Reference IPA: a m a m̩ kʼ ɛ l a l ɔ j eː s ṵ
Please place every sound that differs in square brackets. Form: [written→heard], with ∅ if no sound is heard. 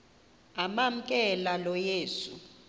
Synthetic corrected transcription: a m a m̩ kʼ ɛ l a l ɔ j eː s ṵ